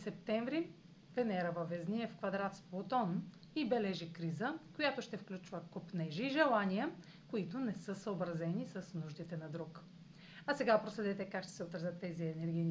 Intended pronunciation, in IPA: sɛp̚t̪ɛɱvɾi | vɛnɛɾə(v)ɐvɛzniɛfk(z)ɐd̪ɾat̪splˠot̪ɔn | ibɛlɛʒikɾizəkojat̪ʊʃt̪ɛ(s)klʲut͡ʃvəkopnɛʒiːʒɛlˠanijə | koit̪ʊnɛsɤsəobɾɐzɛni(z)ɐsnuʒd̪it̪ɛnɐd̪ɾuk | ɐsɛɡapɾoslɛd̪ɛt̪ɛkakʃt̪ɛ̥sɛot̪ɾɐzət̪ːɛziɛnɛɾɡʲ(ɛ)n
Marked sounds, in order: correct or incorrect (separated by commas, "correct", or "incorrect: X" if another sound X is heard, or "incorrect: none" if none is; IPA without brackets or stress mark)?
correct, incorrect: v, incorrect: f, incorrect: s, incorrect: i